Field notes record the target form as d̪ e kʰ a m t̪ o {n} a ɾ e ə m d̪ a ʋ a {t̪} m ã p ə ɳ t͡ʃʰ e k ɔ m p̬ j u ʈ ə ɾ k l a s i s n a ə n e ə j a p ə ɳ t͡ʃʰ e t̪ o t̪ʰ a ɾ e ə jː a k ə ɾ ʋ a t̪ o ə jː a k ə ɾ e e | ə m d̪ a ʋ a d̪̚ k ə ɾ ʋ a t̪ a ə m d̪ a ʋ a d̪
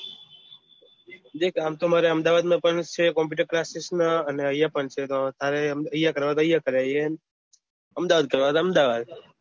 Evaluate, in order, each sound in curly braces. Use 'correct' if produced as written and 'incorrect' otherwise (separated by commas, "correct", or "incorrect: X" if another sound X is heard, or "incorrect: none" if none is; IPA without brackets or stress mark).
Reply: incorrect: m, incorrect: d̪